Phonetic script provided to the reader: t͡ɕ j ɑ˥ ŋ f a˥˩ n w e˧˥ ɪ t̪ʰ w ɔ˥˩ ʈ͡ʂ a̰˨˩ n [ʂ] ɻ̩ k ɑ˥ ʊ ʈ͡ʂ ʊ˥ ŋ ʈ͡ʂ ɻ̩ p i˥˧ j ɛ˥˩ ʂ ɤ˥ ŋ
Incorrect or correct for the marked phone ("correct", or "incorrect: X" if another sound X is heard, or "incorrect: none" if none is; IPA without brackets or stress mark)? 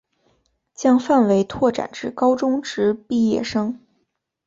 incorrect: ʈ͡ʂ